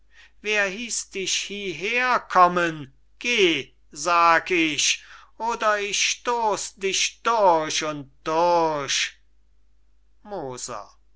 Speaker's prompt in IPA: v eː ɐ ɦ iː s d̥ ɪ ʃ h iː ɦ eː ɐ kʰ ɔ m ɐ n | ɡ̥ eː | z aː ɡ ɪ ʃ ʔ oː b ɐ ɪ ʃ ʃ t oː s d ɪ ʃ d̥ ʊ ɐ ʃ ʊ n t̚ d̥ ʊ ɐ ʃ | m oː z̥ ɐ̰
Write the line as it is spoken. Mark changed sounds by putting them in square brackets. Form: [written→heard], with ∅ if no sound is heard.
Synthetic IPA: v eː ɐ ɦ iː s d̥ ɪ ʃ h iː ɦ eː ɐ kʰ ɔ m [ɐ→ə] n | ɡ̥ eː | z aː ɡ ɪ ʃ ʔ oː [b→d] ɐ ɪ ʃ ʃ t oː s d ɪ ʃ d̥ ʊ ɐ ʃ ʊ n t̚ d̥ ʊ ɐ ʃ | m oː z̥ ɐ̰